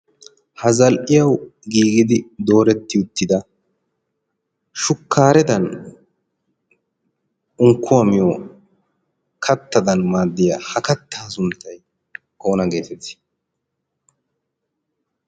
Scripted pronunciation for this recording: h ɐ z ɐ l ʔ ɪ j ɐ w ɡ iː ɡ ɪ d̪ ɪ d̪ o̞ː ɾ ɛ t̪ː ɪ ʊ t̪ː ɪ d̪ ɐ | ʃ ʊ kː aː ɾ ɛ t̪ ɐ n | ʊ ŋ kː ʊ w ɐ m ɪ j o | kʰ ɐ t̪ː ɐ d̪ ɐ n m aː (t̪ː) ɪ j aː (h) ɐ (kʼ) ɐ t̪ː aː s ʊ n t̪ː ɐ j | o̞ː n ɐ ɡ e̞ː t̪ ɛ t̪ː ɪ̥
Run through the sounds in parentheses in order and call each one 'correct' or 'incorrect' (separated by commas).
incorrect, correct, incorrect